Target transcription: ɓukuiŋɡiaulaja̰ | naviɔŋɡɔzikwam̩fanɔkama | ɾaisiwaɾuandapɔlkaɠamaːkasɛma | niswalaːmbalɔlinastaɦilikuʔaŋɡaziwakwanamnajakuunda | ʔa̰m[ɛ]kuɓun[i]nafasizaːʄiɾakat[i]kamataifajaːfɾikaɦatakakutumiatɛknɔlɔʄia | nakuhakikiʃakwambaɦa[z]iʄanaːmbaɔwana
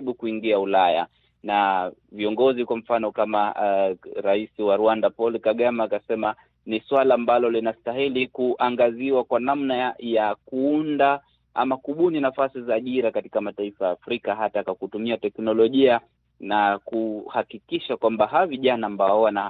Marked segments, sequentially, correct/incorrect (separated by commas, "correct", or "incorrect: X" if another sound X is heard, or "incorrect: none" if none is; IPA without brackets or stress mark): incorrect: a, correct, correct, incorrect: v